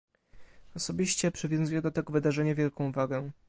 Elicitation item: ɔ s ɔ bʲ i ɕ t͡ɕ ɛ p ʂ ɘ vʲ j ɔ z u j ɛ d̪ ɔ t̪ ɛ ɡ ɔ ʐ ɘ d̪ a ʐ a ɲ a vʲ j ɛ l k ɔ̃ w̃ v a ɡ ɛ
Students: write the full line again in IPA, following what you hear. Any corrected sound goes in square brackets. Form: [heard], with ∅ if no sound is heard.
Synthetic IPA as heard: ɔ s ɔ bʲ i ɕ t͡ɕ ɛ p ʂ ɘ vʲ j [ɔ̃] z u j ɛ d̪ ɔ t̪ ɛ ɡ ɔ [v] ɘ d̪ a ʐ [ɛ] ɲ a vʲ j ɛ l k ɔ̃ w̃ v a ɡ ɛ